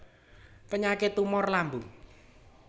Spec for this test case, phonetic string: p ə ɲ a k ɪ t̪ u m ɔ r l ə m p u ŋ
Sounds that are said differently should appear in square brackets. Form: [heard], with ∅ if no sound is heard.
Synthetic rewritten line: p ə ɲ a k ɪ t̪ u m ɔ r l [a] m [b] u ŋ